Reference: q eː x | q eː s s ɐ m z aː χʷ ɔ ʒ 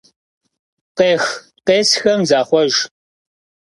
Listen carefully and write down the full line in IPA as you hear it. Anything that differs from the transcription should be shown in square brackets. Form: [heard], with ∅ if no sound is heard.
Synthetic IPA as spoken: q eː x | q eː s [x] ɐ m z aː χʷ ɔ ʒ